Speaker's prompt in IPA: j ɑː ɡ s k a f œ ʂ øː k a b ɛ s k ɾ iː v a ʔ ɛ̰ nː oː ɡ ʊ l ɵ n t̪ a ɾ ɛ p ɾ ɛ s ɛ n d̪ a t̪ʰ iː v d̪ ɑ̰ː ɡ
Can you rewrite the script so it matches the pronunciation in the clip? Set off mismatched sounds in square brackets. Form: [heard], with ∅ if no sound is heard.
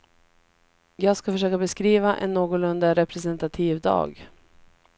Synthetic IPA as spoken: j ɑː ɡ s k a f œ ʂ øː k a b ɛ s k ɾ iː v a ʔ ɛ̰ nː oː ɡ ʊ l ɵ n [d̪] a ɾ ɛ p ɾ ɛ s ɛ n [t̪] a t̪ʰ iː v d̪ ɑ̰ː ɡ

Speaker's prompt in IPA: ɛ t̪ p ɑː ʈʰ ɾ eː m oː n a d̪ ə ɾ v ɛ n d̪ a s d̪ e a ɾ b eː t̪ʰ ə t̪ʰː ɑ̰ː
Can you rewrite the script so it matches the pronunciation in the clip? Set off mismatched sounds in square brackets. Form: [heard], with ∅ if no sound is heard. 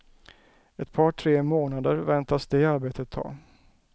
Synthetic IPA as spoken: ɛ t̪ [pʰ] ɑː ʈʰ ɾ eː m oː n a d̪ ə ɾ v ɛ n [t̪] a s d̪ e a ɾ b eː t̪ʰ ə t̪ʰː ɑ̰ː

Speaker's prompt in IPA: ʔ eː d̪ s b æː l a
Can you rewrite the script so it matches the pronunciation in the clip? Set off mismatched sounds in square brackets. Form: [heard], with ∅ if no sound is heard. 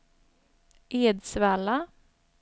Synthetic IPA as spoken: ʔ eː d̪ s [v] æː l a

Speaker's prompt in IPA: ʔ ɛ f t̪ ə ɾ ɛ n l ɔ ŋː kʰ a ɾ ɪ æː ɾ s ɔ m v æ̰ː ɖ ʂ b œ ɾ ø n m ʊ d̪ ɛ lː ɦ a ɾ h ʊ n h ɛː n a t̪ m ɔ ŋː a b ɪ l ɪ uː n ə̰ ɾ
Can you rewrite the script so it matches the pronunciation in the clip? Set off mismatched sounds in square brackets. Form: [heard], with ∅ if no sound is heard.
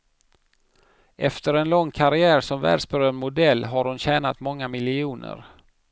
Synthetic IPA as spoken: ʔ ɛ f t̪ ə ɾ ɛ n l ɔ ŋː kʰ a ɾ ɪ æː ɾ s ɔ m v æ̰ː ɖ ʂ b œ ɾ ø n m ʊ d̪ ɛ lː ɦ a ɾ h ʊ n [ɕ] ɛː n a t̪ m ɔ ŋː a [m] ɪ l ɪ uː n ə̰ ɾ

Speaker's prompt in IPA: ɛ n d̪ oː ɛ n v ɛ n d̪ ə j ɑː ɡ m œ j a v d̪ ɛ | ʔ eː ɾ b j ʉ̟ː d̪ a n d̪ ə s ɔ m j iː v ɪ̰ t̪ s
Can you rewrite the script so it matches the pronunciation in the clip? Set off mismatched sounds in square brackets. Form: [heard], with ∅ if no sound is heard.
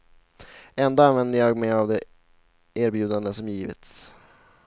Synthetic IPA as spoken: ɛ n d̪ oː [a] n v ɛ n d̪ ə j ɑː ɡ m [ɛ] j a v d̪ ɛ | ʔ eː ɾ b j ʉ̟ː d̪ a n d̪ ə s ɔ m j iː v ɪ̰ t̪ s

